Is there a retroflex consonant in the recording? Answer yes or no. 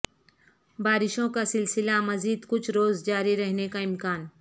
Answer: no